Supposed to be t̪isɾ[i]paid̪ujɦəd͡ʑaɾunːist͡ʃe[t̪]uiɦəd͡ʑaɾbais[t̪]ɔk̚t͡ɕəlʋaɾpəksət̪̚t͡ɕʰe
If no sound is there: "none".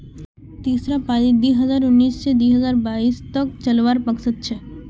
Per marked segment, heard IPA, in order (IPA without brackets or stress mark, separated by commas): a, d̪, t̪